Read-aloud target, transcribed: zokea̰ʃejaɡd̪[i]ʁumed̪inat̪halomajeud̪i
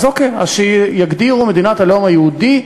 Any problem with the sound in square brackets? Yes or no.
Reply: no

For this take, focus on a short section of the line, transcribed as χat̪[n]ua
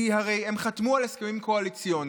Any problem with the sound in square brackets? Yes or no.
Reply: yes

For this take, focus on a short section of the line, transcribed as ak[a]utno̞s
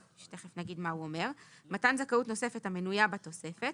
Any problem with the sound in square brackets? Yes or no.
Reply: no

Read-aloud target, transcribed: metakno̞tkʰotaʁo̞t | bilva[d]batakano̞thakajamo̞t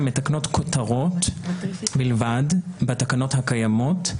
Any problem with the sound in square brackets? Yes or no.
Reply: no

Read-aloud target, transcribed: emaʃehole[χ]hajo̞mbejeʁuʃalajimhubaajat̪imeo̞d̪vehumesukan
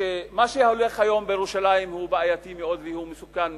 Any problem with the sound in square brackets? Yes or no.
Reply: no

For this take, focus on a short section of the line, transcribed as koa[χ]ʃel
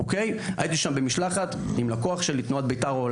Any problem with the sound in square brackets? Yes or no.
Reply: no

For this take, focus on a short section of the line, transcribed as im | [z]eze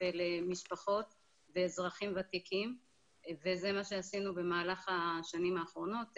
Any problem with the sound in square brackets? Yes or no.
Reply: yes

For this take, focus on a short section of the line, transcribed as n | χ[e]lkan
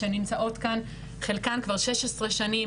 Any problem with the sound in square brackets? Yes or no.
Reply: no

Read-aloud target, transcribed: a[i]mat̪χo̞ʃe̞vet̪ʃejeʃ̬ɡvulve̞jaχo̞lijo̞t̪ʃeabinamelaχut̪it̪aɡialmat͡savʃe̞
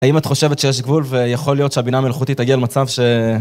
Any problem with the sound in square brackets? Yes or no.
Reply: no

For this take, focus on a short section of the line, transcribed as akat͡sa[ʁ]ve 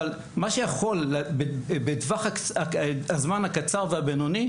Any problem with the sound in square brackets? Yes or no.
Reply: no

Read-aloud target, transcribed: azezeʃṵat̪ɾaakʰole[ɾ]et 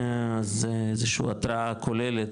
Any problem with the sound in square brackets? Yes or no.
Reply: yes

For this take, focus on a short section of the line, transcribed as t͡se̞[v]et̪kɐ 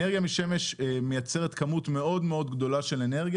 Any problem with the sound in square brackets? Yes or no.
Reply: yes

